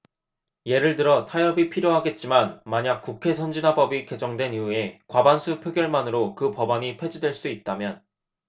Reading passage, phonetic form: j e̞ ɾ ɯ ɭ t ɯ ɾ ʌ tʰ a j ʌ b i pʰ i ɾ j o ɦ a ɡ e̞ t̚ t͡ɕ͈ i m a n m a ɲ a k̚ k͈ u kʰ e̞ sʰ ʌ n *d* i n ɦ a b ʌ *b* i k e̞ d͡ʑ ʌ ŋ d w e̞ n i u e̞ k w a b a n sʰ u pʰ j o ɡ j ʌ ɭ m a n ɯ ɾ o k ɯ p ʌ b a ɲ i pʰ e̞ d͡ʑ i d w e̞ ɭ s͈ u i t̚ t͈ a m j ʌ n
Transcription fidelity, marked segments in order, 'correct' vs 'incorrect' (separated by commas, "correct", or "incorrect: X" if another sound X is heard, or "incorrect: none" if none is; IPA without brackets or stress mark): incorrect: d͡ʑ, correct